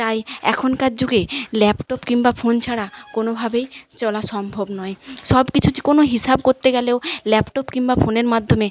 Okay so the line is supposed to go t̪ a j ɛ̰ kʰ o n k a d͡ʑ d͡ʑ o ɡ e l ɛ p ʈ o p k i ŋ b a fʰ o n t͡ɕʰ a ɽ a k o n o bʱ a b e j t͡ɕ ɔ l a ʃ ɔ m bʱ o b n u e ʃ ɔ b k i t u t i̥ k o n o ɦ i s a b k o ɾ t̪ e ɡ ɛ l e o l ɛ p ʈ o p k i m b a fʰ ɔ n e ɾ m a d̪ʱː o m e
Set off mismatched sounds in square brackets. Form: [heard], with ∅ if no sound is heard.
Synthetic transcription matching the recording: t̪ a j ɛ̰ kʰ o n k a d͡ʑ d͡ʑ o ɡ e l ɛ p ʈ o p k i ŋ b a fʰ o n t͡ɕʰ a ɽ a k o n o bʱ a b e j t͡ɕ ɔ l a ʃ ɔ m bʱ o b n [ɔ] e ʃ ɔ b k i [t͡ɕʰ] u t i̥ k o n o ɦ i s a b k o ɾ t̪ e ɡ ɛ l e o l ɛ p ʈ o p k i [ŋ] b a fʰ [o] n e ɾ m a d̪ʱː o m e

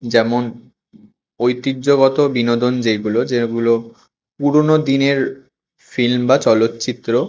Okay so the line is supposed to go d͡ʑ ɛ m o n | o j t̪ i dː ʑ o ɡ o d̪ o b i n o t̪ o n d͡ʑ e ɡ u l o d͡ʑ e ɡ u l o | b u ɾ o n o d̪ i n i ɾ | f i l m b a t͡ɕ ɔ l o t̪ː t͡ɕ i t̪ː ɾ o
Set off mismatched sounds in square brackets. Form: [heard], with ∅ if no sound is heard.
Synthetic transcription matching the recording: d͡ʑ ɛ m o n | o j t̪ i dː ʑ o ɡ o [t̪] o b i n o [d̪] o n d͡ʑ e ɡ u l o d͡ʑ e ɡ u l o | [p] u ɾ o n o d̪ i n [e] ɾ | f i l m b a t͡ɕ ɔ l o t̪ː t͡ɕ i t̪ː ɾ o

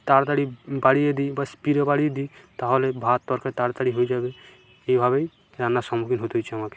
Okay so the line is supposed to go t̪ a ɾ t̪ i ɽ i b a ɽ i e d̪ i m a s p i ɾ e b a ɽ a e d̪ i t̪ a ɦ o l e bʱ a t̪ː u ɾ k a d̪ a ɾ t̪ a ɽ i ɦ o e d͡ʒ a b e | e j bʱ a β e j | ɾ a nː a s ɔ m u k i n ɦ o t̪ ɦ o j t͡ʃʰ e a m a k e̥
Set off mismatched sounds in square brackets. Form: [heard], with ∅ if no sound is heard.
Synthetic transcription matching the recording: t̪ a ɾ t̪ [a] ɽ i b a ɽ i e d̪ i [b] a s p i ɾ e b a ɽ [i] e d̪ i t̪ a ɦ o l e bʱ a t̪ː [ɔ] ɾ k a [t̪] a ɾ t̪ a ɽ i ɦ o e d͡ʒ a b e | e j bʱ a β e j | ɾ a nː a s ɔ m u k i n ɦ o t̪ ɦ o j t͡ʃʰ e a m a k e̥

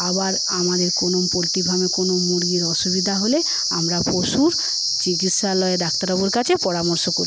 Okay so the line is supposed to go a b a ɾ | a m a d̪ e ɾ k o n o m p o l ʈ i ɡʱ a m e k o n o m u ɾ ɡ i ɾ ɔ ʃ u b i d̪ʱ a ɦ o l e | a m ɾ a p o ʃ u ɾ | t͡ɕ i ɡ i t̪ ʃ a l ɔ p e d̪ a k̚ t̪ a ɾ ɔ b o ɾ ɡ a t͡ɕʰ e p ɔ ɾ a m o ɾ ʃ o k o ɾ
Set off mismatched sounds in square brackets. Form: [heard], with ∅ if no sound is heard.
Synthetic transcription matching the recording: a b a ɾ | a m a d̪ e ɾ k o n o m p o l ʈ i [bʱ] a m e k o n o m u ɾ ɡ i ɾ ɔ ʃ u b i d̪ʱ a ɦ o l e | a m ɾ a p o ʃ u ɾ | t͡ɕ i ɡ i t̪ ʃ a l ɔ [∅] e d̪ a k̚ t̪ a ɾ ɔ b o ɾ [k] a t͡ɕʰ e p ɔ ɾ a m o ɾ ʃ o k o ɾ

